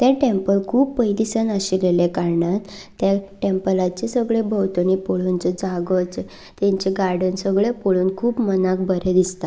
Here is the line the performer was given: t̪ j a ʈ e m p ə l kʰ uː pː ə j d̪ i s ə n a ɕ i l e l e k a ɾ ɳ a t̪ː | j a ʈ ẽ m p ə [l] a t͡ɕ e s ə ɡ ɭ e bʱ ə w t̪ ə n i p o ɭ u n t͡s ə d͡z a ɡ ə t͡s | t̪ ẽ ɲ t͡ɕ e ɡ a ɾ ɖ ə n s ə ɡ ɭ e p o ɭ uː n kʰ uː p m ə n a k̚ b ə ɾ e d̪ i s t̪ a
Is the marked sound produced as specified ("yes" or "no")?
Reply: yes